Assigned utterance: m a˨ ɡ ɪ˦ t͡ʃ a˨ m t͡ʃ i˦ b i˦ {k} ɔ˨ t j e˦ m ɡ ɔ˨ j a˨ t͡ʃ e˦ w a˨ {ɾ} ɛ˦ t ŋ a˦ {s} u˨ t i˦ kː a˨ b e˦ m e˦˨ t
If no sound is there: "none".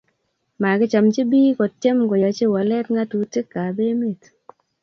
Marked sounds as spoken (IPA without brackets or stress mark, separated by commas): k, l, t